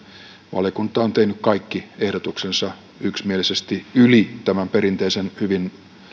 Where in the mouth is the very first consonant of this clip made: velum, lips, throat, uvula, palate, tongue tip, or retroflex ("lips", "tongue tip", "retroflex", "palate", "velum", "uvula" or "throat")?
lips